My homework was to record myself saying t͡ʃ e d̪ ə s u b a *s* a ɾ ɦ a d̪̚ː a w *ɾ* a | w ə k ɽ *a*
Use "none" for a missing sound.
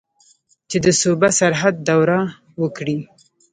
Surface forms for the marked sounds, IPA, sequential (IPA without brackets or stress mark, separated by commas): s, ɾ, i